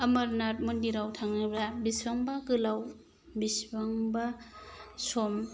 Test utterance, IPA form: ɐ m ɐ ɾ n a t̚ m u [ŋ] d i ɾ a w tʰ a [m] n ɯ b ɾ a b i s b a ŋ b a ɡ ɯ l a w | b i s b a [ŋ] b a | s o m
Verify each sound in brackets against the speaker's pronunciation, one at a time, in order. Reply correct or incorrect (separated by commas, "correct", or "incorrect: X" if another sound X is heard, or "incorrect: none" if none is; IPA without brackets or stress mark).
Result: incorrect: n, incorrect: ŋ, correct